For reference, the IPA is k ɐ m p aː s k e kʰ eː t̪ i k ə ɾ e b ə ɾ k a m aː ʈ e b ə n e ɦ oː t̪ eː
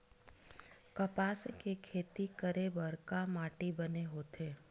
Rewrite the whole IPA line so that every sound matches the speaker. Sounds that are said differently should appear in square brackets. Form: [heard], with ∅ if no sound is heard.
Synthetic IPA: k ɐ [∅] p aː s k e kʰ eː t̪ i k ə ɾ e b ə ɾ k a m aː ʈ [i] b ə n e ɦ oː t̪ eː